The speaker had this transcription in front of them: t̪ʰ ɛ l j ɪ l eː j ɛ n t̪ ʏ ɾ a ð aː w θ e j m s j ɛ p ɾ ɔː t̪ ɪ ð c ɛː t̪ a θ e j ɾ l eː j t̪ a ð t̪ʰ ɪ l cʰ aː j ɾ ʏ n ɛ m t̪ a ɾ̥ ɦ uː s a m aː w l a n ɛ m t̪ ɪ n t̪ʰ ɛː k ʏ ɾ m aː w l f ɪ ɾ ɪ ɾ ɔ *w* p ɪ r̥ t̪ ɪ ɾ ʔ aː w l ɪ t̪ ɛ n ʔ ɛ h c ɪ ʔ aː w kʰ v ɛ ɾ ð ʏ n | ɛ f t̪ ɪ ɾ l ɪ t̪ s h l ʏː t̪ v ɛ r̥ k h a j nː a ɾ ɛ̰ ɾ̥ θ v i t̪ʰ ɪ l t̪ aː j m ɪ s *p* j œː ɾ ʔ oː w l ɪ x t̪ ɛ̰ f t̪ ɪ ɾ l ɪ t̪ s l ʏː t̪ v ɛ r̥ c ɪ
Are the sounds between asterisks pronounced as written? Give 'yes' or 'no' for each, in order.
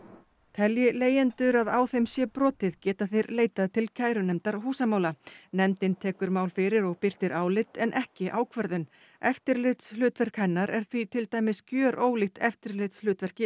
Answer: no, no

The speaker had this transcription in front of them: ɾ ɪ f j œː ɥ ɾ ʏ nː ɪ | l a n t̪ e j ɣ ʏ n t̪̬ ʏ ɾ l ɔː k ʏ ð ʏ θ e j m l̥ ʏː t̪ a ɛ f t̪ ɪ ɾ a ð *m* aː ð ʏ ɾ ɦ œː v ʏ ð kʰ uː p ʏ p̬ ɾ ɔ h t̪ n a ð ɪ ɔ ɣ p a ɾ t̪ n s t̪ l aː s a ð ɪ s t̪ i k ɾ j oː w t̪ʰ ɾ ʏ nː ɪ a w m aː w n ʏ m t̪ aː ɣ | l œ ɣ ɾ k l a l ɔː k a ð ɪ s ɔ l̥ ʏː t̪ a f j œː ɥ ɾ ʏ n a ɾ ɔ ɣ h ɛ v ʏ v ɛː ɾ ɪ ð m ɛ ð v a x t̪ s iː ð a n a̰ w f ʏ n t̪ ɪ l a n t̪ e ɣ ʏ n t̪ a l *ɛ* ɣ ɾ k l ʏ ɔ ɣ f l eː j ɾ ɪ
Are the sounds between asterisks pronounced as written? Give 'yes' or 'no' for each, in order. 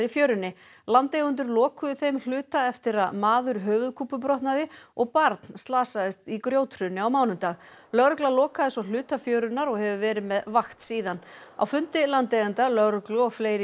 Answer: yes, no

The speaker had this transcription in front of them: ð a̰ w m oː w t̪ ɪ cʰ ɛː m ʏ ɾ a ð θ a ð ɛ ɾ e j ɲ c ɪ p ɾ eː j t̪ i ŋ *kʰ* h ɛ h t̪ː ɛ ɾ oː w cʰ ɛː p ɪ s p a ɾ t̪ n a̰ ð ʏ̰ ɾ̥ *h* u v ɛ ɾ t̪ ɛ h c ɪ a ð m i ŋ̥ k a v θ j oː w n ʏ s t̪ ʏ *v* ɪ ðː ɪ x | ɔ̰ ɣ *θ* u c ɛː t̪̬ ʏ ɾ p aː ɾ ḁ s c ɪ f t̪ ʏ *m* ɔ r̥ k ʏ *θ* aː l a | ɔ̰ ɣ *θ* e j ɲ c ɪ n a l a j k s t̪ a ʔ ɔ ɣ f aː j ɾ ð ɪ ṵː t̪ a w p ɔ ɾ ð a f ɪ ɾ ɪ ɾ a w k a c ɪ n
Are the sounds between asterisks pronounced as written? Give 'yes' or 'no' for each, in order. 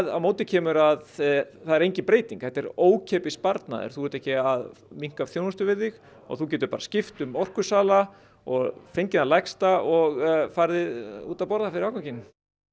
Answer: no, no, yes, yes, yes, no, no

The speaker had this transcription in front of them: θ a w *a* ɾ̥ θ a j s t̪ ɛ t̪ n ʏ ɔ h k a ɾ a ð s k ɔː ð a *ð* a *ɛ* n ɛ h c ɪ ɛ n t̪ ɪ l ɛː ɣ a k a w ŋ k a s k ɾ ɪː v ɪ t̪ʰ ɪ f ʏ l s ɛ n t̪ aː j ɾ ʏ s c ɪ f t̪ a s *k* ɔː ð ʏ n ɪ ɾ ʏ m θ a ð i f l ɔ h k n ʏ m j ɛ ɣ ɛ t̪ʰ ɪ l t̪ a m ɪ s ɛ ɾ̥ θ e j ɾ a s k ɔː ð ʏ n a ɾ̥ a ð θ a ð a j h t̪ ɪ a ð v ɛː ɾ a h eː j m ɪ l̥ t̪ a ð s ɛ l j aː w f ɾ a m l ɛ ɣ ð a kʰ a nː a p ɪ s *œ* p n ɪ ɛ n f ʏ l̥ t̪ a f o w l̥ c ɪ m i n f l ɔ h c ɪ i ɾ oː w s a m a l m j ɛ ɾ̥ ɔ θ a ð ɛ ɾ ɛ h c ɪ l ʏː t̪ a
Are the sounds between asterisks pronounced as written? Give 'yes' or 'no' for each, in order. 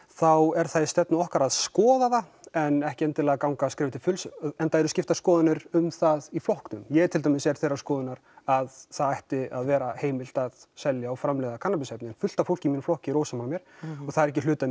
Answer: no, yes, yes, yes, no

